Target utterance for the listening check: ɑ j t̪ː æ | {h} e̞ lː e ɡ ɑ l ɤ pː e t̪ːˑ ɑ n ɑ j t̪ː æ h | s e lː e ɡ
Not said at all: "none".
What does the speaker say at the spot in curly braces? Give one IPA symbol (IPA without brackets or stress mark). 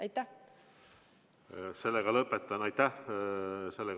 s